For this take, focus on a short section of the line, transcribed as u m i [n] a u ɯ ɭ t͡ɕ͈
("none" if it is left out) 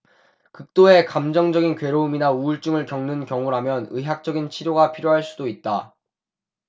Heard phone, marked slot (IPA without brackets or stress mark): n